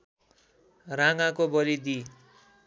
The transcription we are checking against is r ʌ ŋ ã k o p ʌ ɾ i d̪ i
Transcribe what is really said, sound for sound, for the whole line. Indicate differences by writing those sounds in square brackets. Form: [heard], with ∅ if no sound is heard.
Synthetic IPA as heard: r [a] ŋ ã k o [b] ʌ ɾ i d̪ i

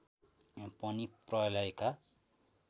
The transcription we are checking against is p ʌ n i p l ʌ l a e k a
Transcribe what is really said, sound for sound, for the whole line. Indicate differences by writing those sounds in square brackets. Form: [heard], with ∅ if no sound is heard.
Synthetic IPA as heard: p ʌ n i p [r] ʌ l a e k a

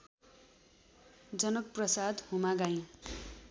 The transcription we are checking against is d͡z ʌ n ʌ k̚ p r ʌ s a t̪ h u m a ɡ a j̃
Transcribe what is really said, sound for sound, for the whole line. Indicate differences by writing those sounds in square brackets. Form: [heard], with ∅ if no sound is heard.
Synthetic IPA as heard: d͡z ʌ n ʌ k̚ p r ʌ s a [d̪] h u m a ɡ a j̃

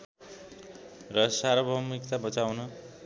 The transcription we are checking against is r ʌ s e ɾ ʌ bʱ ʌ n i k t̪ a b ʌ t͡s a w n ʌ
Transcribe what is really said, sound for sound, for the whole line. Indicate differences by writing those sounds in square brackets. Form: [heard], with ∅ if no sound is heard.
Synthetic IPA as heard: r ʌ s [a] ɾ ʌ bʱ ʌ [m] i k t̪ a b ʌ t͡s a w n ʌ

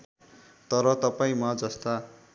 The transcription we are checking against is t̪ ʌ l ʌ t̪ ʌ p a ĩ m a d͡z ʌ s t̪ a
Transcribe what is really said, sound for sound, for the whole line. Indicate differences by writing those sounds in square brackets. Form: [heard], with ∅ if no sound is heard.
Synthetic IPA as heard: t̪ ʌ [ɾ] ʌ t̪ ʌ p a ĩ m a d͡z ʌ s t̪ a

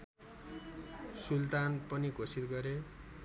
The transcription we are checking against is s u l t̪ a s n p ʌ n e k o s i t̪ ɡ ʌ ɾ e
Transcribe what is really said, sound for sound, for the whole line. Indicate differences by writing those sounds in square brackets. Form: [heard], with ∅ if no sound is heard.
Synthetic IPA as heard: s u l t̪ a [∅] n p ʌ n [i] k o s i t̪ ɡ ʌ ɾ e

